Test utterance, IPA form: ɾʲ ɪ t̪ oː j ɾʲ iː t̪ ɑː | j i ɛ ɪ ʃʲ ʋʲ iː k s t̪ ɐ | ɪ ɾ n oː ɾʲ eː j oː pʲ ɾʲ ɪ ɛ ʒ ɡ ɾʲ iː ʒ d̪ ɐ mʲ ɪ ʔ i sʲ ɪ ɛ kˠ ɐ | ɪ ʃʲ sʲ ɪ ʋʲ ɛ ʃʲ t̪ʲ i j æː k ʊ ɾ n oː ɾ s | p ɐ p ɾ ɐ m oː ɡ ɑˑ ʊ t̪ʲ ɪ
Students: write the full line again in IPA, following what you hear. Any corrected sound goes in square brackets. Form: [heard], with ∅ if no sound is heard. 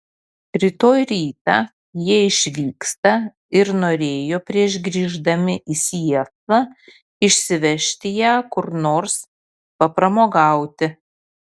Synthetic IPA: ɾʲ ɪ t̪ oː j ɾʲ iː t̪ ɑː | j i ɛ ɪ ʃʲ ʋʲ iː k s t̪ ɐ | ɪ ɾ n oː ɾʲ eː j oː pʲ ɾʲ [i] ɛ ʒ ɡ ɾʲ iː ʒ d̪ ɐ mʲ ɪ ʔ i sʲ [i] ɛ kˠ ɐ | ɪ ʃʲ sʲ ɪ ʋʲ ɛ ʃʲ t̪ʲ [ɪ] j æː k ʊ ɾ n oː ɾ s | p ɐ p ɾ ɐ m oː ɡ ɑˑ ʊ t̪ʲ ɪ

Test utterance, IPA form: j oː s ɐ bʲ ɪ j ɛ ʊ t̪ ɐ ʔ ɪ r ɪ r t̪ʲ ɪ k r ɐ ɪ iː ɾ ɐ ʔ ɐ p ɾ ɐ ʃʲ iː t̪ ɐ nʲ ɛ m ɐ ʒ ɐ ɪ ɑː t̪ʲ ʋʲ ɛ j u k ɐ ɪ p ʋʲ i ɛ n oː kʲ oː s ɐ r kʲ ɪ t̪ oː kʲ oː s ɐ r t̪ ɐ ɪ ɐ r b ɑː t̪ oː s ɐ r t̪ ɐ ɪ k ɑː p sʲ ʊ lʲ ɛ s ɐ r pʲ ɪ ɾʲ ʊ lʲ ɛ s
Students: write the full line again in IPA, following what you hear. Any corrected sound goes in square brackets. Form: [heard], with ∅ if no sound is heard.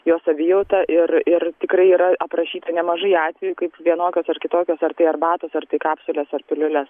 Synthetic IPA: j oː s ɐ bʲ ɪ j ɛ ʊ t̪ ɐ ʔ ɪ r ɪ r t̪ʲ ɪ k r ɐ ɪ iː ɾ ɐ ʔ ɐ p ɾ ɐ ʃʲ iː t̪ ɐ nʲ ɛ m ɐ ʒ ɐ ɪ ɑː t̪ʲ ʋʲ ɛ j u k ɐ ɪ p ʋʲ i ɛ n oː kʲ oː s ɐ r kʲ ɪ t̪ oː kʲ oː s ɐ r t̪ ɐ ɪ ɐ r b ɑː t̪ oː s ɐ r t̪ ɐ ɪ k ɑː p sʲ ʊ lʲ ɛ s ɐ r pʲ ɪ [lʲ] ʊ lʲ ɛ s

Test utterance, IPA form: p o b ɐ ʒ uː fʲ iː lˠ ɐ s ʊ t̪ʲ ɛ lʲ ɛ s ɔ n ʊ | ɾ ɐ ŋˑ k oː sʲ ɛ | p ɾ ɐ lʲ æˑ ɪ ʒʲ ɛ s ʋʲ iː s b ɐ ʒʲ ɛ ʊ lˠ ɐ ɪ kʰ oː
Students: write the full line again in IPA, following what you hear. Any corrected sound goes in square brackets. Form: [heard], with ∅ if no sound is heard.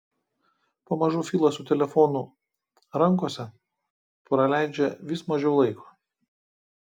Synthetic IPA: p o [m] ɐ ʒ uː fʲ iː lˠ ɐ s ʊ t̪ʲ ɛ lʲ ɛ [f] ɔ n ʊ | ɾ ɐ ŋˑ k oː sʲ ɛ | p ɾ ɐ lʲ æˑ ɪ [d͡ʒʲ] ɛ [∅] ʋʲ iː s [m] ɐ ʒʲ ɛ ʊ lˠ ɐ ɪ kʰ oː

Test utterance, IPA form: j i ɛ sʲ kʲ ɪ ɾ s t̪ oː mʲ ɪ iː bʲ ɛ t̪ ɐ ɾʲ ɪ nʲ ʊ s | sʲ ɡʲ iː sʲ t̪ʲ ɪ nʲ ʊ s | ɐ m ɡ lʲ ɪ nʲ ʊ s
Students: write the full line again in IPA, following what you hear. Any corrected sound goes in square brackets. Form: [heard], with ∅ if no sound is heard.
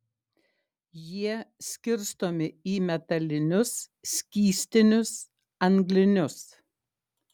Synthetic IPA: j i ɛ sʲ kʲ ɪ ɾ s t̪ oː mʲ ɪ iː [mʲ] ɛ t̪ ɐ [lʲ] ɪ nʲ ʊ s | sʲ [kʲ] iː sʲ t̪ʲ ɪ nʲ ʊ s | ɐ [ŋ] ɡ lʲ ɪ nʲ ʊ s

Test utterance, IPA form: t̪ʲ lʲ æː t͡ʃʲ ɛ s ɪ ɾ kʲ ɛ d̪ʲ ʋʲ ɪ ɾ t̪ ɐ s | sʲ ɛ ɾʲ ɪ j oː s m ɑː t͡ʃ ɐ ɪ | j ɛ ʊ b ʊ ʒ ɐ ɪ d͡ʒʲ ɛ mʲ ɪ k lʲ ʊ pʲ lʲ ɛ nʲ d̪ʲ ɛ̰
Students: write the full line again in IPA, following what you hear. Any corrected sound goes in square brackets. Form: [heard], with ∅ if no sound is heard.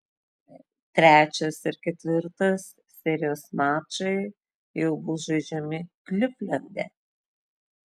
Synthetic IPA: t̪ʲ [ɾʲ] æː t͡ʃʲ ɛ s ɪ ɾ kʲ ɛ [t̪ʲ] ʋʲ ɪ ɾ t̪ ɐ s | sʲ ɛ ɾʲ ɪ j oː s m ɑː t͡ʃ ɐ ɪ | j ɛ ʊ b ʊ ʒ ɐ ɪ d͡ʒʲ ɛ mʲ ɪ k lʲ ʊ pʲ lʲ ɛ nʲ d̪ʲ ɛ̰

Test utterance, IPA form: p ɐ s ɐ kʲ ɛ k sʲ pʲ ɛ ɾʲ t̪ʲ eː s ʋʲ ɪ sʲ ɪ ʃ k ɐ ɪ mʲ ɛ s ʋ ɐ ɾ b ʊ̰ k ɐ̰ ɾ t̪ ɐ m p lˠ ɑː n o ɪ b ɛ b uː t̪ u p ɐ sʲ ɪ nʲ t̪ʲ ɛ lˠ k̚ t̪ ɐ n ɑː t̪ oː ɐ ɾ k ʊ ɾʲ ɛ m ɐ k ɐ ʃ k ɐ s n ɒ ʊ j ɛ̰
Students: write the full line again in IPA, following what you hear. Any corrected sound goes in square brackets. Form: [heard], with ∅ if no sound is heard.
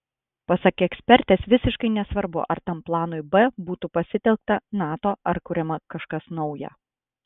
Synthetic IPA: p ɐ s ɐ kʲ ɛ k sʲ pʲ ɛ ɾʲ t̪ʲ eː s ʋʲ ɪ sʲ ɪ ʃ k ɐ ɪ [nʲ] ɛ s ʋ ɐ ɾ b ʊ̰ [ʔ] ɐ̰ ɾ t̪ ɐ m p lˠ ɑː n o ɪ b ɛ b uː t̪ u p ɐ sʲ ɪ [∅] t̪ʲ ɛ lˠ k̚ t̪ ɐ n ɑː t̪ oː ɐ ɾ k ʊ ɾʲ ɛ m ɐ k ɐ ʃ k ɐ s n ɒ ʊ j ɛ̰

